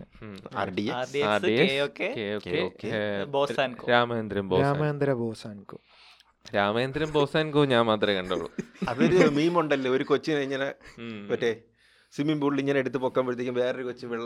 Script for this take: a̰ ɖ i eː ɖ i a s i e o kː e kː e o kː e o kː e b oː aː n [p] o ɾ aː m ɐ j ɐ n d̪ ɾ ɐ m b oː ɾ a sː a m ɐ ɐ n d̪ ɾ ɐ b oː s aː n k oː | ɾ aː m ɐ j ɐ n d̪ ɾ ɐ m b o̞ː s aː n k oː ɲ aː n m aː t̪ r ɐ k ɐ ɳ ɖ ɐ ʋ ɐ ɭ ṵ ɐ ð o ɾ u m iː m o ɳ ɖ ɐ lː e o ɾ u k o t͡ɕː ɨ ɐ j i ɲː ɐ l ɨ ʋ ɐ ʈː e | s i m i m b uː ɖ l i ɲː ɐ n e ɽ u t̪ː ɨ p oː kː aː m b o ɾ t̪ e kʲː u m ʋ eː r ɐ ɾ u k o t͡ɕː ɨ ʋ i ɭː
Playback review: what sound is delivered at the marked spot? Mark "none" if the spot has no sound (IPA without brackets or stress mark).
k